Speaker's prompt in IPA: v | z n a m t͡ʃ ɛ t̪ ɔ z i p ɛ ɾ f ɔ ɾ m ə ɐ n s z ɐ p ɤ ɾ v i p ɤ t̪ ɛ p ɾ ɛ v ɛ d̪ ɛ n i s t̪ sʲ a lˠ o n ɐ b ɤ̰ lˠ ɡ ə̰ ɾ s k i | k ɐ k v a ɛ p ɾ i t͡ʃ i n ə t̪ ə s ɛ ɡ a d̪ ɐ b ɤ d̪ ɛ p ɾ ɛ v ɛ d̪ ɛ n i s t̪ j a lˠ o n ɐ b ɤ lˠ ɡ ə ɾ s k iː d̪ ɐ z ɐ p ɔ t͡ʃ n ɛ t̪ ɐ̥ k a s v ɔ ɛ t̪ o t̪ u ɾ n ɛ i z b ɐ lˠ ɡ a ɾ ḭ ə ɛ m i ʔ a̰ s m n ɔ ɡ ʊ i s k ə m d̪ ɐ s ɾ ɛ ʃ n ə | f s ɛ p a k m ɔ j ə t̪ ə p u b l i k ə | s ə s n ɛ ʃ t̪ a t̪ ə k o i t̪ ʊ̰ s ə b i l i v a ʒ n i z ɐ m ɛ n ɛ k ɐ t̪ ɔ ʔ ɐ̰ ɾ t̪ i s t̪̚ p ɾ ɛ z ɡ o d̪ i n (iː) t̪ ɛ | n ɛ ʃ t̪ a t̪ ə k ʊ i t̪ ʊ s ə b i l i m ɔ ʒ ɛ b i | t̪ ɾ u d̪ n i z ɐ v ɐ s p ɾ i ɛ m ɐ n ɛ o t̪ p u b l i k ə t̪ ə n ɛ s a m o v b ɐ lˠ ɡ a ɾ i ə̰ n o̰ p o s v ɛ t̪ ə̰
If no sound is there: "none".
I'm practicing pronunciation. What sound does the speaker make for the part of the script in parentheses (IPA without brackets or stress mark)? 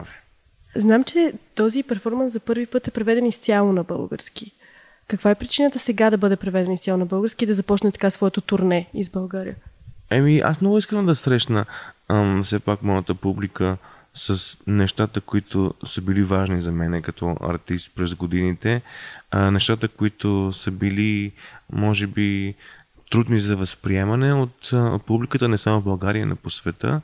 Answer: i